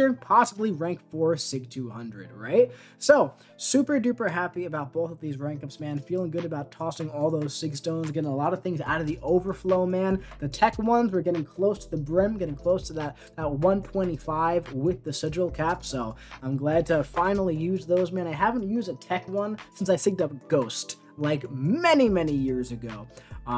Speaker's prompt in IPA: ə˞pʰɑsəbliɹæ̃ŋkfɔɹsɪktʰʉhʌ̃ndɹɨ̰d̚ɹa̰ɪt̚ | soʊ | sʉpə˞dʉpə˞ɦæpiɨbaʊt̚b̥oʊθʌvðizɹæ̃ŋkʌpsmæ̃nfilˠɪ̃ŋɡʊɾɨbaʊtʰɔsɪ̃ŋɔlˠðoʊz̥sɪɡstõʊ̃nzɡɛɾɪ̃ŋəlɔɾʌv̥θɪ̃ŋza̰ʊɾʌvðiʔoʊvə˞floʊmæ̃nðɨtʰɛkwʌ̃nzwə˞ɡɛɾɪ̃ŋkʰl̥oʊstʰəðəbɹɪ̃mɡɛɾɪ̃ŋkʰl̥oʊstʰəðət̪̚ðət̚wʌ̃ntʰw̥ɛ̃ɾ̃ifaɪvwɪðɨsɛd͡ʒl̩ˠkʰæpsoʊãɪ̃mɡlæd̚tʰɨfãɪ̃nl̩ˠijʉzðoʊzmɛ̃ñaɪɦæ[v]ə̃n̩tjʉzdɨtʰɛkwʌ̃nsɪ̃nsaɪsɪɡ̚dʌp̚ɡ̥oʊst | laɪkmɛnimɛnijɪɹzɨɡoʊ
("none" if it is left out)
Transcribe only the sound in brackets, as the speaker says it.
v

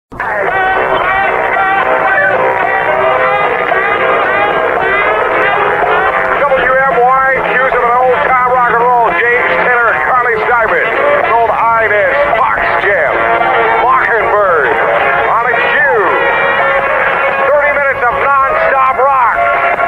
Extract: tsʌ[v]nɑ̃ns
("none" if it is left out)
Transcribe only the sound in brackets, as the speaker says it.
v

